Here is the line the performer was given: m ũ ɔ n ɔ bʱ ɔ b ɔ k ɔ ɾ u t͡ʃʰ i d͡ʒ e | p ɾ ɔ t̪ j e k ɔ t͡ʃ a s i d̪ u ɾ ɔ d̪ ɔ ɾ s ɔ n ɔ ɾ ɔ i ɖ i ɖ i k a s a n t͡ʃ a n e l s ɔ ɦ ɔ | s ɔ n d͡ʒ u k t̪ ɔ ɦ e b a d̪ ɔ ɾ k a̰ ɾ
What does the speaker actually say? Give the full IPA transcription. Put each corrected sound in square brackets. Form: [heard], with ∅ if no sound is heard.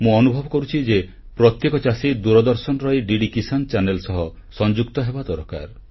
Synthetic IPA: m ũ ɔ n [u] bʱ ɔ b ɔ k ɔ ɾ u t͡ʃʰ i d͡ʒ e | p ɾ ɔ t̪ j e k ɔ t͡ʃ a s i d̪ u ɾ ɔ d̪ ɔ ɾ s ɔ n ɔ ɾ ɔ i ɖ i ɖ i k [i] s a n t͡ʃ a n e l s ɔ ɦ ɔ | s ɔ n d͡ʒ u k t̪ ɔ ɦ e b a d̪ ɔ ɾ k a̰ ɾ